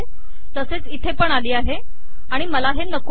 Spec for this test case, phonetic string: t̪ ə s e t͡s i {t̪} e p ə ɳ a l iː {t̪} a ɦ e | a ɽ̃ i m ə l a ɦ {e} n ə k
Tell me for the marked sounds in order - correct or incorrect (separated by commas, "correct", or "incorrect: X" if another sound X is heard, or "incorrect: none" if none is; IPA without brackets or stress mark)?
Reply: incorrect: t̪ʰ, incorrect: none, correct